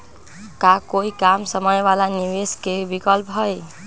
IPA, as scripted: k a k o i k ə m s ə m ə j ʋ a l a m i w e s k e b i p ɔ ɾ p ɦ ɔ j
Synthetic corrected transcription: k a k o i k a m s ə m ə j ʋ a l a n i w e s k e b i k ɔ l p ɦ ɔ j